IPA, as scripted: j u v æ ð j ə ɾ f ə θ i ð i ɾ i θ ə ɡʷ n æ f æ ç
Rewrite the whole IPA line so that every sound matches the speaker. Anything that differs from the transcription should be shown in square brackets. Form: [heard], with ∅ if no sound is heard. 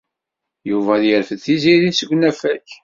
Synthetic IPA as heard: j u v æ ð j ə ɾ f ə θ i [z] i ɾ i [s] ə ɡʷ n æ f æ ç